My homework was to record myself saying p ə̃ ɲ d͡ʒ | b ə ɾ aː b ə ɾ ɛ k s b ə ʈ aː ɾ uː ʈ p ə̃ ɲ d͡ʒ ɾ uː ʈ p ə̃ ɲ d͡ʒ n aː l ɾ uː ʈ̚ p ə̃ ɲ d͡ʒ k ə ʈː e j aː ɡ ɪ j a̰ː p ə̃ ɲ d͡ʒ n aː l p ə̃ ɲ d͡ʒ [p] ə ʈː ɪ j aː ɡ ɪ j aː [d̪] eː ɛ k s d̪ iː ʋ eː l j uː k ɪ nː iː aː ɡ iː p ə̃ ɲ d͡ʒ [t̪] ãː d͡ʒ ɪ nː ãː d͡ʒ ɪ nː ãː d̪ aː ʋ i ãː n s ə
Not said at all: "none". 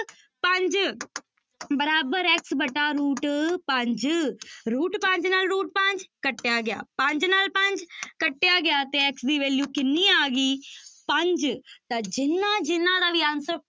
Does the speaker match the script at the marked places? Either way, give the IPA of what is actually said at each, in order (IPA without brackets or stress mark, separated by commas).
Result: k, t̪, t̪